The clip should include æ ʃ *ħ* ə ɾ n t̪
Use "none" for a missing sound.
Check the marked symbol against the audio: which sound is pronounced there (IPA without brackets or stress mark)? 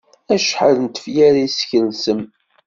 ħ